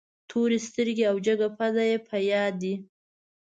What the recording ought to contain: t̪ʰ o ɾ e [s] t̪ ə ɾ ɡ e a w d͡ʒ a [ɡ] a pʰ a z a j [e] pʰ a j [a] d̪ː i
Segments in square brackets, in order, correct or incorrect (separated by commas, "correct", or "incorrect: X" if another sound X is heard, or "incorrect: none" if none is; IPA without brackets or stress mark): correct, correct, correct, incorrect: ɑ